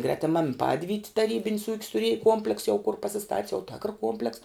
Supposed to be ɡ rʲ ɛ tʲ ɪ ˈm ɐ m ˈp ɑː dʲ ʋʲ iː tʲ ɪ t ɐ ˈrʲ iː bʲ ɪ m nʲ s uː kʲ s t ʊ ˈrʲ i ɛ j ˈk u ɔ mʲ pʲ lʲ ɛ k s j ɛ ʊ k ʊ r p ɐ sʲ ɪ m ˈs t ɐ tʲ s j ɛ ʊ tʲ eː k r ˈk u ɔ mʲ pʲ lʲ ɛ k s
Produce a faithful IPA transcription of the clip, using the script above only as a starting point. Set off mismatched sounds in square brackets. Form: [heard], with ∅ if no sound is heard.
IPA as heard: ɡ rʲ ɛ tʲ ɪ ˈm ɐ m ˈp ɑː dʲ ʋʲ iː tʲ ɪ t ɐ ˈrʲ iː bʲ ɪ [∅] nʲ s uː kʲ s t ʊ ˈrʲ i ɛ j ˈk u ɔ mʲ pʲ lʲ ɛ k s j ɛ ʊ k ʊ r p ɐ sʲ ɪ [∅] ˈs t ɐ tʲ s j ɛ ʊ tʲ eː k r ˈk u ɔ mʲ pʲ lʲ ɛ k s